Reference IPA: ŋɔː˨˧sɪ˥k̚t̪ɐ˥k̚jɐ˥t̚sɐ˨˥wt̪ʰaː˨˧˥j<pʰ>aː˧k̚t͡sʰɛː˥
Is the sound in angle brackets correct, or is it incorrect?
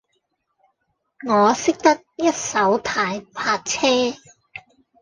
correct